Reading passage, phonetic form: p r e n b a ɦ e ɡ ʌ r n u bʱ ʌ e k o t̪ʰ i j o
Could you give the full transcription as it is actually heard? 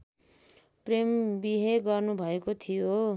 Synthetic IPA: p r e m b i ɦ e ɡ ʌ r n u bʱ ʌ e k o t̪ʰ i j o